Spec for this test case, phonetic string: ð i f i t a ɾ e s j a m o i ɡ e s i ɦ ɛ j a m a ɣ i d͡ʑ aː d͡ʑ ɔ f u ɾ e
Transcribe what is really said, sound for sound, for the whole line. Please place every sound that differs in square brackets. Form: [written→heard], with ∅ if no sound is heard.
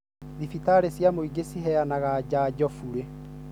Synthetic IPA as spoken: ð i f i t a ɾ e s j a m o i ɡ e s i ɦ ɛ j a [m→n] a ɣ [i→a] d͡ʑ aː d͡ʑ ɔ f u ɾ e